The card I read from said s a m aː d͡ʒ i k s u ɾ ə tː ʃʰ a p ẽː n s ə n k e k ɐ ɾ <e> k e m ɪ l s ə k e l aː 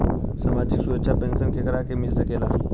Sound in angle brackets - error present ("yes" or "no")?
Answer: yes